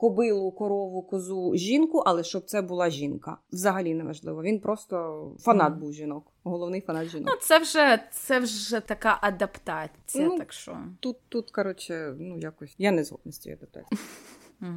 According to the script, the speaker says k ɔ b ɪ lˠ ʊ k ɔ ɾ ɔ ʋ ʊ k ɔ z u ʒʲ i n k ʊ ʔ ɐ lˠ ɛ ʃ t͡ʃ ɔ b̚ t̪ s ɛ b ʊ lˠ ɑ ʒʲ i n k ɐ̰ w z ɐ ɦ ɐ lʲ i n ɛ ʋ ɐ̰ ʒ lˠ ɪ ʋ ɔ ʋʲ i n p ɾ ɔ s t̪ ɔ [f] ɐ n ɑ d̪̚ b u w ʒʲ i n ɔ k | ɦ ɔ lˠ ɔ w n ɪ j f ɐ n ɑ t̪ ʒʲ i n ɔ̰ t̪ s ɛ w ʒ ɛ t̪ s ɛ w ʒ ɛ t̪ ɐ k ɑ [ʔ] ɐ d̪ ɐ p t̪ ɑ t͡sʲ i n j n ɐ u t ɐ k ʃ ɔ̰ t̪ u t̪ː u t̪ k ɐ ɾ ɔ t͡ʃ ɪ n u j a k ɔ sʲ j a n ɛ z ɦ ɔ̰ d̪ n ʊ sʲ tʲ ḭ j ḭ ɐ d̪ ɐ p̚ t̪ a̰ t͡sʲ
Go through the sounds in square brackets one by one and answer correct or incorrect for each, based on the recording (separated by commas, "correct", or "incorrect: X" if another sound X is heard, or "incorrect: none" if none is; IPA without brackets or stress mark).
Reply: correct, correct